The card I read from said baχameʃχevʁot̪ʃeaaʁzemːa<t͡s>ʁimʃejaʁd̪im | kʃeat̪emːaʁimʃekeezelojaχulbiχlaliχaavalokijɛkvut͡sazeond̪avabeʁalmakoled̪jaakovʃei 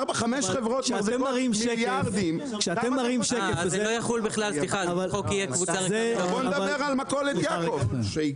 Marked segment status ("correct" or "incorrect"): incorrect